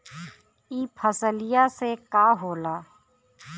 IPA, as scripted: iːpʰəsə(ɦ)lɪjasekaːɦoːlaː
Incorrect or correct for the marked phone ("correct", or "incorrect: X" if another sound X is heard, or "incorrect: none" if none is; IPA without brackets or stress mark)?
incorrect: none